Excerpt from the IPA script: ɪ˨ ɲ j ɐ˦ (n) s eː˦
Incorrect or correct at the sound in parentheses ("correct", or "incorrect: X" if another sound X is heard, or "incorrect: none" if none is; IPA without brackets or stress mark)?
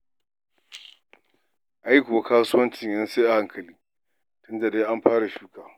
correct